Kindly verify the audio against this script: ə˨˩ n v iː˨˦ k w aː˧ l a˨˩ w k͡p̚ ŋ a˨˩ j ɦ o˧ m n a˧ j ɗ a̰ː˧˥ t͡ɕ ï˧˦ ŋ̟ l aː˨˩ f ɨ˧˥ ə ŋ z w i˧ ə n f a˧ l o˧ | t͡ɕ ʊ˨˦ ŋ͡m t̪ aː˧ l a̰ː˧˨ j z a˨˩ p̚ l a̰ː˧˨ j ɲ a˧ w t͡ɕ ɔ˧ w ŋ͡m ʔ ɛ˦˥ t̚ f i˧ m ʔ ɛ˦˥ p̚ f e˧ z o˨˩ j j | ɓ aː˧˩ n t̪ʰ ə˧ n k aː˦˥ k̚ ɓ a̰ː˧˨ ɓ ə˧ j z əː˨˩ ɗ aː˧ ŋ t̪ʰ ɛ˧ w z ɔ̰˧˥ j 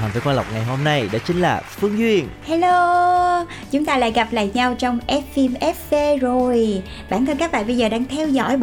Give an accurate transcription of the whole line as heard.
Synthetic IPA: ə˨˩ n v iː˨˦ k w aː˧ l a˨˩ w k͡p̚ ŋ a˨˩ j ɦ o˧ m n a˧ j ɗ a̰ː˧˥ t͡ɕ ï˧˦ ŋ̟ l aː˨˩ f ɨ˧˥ ə ŋ z w i˧ ə n h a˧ l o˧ | t͡ɕ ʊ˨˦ ŋ͡m t̪ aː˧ l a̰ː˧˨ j ɣ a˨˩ p̚ l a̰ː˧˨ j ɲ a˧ w t͡ɕ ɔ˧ w ŋ͡m ʔ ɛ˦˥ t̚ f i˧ m ʔ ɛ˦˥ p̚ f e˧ z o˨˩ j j | ɓ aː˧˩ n t̪ʰ ə˧ n k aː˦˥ k̚ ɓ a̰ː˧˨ ɓ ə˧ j z əː˨˩ ɗ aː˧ ŋ t̪ʰ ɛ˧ w z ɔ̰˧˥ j